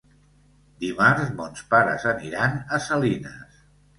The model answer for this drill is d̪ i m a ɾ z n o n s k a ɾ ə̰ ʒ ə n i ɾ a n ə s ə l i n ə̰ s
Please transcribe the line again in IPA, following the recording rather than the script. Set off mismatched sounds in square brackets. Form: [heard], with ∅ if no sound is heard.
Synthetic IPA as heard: d̪ i m a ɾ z [m] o n s [p] a ɾ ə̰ [z] ə n i ɾ a n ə s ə l i n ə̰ s